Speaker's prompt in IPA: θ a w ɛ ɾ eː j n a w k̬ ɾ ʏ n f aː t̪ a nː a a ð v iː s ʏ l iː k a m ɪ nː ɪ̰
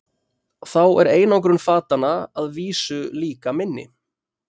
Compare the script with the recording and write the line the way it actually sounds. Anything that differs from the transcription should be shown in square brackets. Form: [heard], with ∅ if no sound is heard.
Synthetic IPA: θ a w ɛ ɾ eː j n a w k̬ ɾ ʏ n f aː t̪ a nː a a ð v iː s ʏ l iː k a m ɪ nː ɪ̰